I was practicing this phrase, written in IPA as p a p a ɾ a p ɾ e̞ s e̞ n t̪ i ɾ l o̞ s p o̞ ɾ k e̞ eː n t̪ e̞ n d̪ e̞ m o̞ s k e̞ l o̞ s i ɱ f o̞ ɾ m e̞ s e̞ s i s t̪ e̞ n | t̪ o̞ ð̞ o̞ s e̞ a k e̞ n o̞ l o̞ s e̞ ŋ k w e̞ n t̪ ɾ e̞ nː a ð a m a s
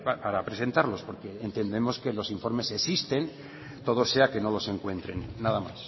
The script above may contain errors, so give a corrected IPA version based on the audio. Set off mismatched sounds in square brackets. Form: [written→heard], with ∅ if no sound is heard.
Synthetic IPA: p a p a ɾ a p ɾ e̞ s e̞ n t̪ [i→a] ɾ l o̞ s p o̞ ɾ k e̞ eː n t̪ e̞ n d̪ e̞ m o̞ s k e̞ l o̞ s i ɱ f o̞ ɾ m e̞ s e̞ s i s t̪ e̞ n | t̪ o̞ ð̞ o̞ s e̞ a k e̞ n o̞ l o̞ s e̞ ŋ k w e̞ n t̪ ɾ e̞ nː a ð a m a s